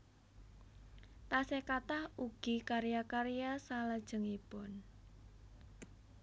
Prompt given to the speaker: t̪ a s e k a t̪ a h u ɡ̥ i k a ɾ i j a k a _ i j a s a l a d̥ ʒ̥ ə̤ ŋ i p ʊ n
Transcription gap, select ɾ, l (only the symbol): ɾ